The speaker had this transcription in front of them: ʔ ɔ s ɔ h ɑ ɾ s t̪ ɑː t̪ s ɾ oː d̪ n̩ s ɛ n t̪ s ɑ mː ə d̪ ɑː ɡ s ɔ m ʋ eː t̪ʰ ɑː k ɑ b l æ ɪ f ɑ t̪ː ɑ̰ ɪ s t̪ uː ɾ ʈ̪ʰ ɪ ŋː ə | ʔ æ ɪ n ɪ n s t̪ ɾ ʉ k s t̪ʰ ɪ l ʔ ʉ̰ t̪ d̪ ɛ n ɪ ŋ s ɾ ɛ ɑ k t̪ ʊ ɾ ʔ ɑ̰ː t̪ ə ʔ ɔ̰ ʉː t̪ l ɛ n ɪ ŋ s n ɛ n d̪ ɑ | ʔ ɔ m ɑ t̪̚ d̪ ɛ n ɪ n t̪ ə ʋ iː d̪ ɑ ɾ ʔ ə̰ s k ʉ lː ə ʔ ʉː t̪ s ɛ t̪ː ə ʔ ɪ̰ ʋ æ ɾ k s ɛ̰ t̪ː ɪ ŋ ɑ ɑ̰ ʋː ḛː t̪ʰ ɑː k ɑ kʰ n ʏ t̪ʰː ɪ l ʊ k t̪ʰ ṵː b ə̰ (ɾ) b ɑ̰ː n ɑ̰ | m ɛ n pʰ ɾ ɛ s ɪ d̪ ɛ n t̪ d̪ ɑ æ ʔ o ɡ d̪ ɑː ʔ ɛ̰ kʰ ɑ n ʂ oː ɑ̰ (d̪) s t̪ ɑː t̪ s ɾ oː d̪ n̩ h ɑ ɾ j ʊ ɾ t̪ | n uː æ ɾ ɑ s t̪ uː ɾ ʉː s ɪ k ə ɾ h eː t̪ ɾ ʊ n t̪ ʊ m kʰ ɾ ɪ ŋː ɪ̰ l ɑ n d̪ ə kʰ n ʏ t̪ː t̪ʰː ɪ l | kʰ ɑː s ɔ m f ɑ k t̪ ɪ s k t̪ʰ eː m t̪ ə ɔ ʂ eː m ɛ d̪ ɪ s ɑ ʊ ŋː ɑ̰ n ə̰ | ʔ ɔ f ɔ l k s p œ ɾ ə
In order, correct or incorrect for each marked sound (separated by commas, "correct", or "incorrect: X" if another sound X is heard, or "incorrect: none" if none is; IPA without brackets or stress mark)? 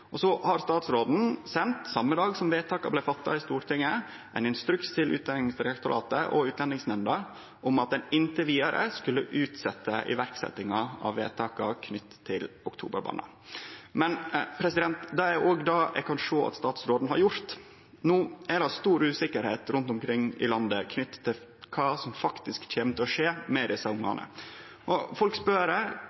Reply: correct, incorrect: t̪